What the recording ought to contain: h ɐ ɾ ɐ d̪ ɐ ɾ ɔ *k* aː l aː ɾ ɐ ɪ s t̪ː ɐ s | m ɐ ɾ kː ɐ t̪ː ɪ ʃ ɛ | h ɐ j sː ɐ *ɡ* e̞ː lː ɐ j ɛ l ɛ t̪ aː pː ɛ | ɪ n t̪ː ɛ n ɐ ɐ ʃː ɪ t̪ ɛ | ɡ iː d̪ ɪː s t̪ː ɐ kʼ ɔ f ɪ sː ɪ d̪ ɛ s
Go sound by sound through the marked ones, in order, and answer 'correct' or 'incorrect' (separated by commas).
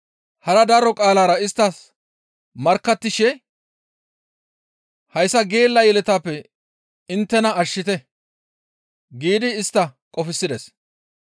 incorrect, correct